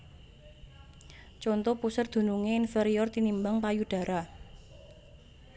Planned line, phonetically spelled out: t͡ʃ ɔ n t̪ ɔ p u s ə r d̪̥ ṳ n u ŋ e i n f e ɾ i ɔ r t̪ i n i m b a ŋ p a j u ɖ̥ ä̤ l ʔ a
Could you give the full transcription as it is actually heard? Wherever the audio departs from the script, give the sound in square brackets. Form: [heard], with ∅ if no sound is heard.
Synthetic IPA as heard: t͡ʃ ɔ n t̪ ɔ p u s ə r d̪̥ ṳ n u ŋ e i n f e ɾ i ɔ r t̪ i n i m b a ŋ p a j u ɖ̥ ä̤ [ɾ] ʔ a

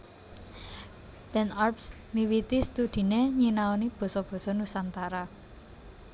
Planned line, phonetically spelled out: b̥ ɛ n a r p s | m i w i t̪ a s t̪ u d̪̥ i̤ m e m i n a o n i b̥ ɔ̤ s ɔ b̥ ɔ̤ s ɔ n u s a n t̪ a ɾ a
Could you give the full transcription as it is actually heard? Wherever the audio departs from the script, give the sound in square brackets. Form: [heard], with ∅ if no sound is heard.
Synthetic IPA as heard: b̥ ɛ n a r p s | m i w i t̪ [i] s t̪ u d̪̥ i̤ [n] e [ɲ] i n a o n i b̥ ɔ̤ s ɔ b̥ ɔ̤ s ɔ n u s a n t̪ a ɾ a

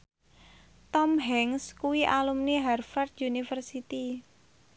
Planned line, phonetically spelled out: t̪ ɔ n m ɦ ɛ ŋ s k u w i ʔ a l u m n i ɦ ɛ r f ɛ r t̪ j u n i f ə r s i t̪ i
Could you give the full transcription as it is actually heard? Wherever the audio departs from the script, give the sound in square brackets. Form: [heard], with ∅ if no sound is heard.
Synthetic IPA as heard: t̪ ɔ [∅] m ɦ ɛ ŋ s k u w i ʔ a l u m n i ɦ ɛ r f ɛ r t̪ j u n i f ə r s i t̪ i

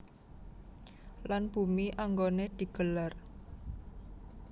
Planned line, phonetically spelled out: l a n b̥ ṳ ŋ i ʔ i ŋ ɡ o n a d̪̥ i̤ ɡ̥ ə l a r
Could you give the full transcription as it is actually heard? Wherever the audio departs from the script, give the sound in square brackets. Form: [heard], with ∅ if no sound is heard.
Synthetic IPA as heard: l a n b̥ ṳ [m] i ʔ [a] ŋ ɡ o n [e] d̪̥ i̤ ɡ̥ ə l a r

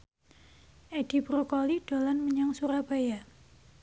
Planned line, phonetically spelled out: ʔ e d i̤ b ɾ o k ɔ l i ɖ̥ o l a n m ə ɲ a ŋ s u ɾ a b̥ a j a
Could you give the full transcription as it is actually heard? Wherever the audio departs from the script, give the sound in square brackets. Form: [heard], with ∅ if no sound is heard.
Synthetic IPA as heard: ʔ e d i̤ b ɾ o k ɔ l i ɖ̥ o l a n m ə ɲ a ŋ s u ɾ a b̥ a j a

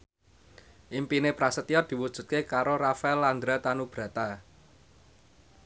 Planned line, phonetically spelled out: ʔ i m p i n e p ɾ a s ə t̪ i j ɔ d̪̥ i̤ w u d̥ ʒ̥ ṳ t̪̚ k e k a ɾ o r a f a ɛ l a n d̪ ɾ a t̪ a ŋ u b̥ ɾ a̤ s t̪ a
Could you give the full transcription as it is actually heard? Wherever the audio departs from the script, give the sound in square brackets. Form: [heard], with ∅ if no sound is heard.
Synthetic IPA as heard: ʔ i m p i n e p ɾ a s ə t̪ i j ɔ d̪̥ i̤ w u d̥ ʒ̥ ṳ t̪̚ k e k a ɾ o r a f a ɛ l a n d̪ ɾ a t̪ a [n] u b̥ ɾ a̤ [∅] t̪ a

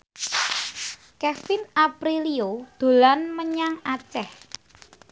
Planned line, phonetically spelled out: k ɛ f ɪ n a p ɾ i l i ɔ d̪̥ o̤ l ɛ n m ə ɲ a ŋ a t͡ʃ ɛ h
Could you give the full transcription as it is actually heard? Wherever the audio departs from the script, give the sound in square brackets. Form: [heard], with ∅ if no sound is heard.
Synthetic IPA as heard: k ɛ f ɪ n a p ɾ i l i [o] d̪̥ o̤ l [a] n m ə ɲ a ŋ a t͡ʃ ɛ h

